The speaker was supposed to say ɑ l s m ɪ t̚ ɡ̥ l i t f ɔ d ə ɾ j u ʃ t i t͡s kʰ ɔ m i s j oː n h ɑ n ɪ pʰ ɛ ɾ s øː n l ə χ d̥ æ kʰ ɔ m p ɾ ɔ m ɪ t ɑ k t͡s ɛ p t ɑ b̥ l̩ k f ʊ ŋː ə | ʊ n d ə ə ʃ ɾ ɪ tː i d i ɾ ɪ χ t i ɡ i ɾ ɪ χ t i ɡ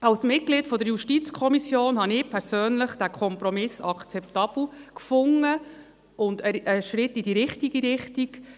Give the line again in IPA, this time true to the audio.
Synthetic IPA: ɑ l s m ɪ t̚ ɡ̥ l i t f ɔ d ə ɾ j u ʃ t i t͡s kʰ ɔ m i s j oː n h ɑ n ɪ pʰ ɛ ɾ s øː n l ə χ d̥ æ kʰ ɔ m p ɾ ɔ m ɪ s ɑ k t͡s ɛ p t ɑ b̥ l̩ k f ʊ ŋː ə | ʊ n d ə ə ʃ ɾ ɪ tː i d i ɾ ɪ χ t i ɡ i ɾ ɪ χ t i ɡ

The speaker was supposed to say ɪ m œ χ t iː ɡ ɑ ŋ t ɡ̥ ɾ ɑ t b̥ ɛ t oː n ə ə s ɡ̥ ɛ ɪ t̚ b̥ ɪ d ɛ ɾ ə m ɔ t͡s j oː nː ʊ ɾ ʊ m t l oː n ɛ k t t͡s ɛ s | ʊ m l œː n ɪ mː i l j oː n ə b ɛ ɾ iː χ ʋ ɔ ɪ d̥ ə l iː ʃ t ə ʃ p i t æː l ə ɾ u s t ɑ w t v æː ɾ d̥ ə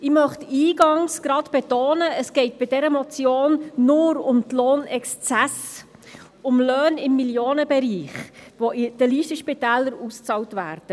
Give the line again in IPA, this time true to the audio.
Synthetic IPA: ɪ m œ χ t iː ɡ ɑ ŋ s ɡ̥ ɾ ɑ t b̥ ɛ t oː n ə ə s ɡ̥ ɛ ɪ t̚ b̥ ɪ d ɛ ɾ ə m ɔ t͡s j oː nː ʊ ɾ ʊ m t l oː n ɛ k s t͡s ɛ s | ʊ m l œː n ɪ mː i l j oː n ə b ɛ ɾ iː χ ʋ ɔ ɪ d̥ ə l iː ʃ t ə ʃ p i t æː l ə ɾ u s t͡s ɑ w t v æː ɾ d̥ ə

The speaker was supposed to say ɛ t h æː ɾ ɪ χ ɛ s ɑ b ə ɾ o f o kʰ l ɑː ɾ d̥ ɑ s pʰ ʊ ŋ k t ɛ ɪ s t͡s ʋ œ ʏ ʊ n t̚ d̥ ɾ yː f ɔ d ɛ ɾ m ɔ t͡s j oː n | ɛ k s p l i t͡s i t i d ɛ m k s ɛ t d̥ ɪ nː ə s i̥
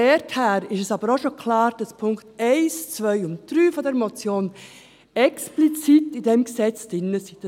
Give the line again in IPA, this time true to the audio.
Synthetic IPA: ɛ t h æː ɾ ɪ ʃ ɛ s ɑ b ə ɾ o ʃ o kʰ l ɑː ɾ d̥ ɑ s pʰ ʊ ŋ k t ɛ ɪ s t͡s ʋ œ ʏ ʊ n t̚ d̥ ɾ yː f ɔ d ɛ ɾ m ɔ t͡s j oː n | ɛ k s p l i t͡s i t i d ɛ m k s ɛ t͡s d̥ ɪ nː ə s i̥

